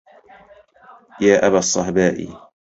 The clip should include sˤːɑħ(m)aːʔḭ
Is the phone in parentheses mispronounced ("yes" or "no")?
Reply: yes